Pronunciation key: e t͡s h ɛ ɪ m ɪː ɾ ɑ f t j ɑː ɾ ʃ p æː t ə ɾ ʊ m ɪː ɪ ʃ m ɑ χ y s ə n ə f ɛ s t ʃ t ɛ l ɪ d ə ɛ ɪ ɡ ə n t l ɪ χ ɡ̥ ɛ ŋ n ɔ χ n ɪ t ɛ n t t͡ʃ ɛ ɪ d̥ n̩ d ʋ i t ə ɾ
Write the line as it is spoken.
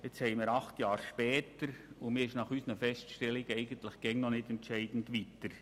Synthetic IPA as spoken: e t͡s h ɛ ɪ m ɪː ɾ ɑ χ t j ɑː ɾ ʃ p ɛː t ə ɾ ʊ m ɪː ɪ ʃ n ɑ χ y s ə n ə f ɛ s t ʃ t ɛ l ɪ ɡ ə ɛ ɪ ɡ ə n t l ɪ χ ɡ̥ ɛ ŋ n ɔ n ɪ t ɛ n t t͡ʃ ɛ ɪ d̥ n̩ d ʋ i t ə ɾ